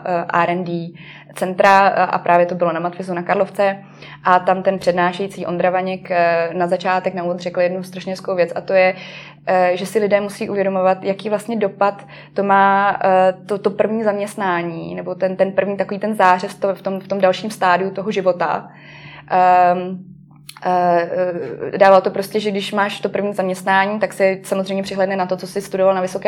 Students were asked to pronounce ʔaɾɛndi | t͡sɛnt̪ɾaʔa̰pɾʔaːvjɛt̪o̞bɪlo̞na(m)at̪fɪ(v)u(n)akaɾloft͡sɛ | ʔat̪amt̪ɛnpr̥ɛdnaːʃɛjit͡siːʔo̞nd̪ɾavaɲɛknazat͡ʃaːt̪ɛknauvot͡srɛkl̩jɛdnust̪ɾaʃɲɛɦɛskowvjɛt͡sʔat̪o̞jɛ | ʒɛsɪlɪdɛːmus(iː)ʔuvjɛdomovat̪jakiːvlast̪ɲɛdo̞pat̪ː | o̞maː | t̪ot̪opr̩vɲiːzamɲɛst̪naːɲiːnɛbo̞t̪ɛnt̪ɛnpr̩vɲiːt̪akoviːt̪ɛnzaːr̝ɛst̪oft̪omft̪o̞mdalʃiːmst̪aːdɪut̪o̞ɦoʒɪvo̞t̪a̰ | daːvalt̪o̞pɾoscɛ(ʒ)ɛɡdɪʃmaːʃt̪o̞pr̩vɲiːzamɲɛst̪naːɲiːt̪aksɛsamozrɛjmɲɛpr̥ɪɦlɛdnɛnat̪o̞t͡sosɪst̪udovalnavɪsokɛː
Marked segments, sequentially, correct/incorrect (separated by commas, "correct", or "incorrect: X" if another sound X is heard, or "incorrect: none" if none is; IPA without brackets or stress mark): correct, incorrect: z, correct, correct, correct